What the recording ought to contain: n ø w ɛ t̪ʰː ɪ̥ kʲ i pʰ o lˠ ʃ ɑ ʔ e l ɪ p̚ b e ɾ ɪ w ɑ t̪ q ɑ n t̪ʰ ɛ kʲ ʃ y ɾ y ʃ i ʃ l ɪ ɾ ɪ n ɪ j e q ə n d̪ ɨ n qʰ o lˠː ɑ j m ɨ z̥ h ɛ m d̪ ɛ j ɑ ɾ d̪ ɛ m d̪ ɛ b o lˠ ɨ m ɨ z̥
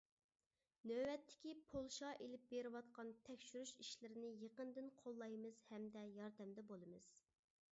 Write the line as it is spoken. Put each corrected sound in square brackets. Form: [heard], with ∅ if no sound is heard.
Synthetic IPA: n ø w ɛ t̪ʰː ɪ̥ kʲ i pʰ o lˠ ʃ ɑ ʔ e l ɪ p̚ b e ɾ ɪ w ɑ t̪ q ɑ n t̪ʰ ɛ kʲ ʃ y ɾ y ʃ i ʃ l ɪ ɾ ɪ n ɪ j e q ə n d̪ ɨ n qʰ o lˠː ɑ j m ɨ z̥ h ɛ m d̪ ɛ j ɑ ɾ d̪ ɛ m d̪ ɛ b o lˠ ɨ m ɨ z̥